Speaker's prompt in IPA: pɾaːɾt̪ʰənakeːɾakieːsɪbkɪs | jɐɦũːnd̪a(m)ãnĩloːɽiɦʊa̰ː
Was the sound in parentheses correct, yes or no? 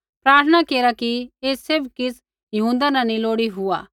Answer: no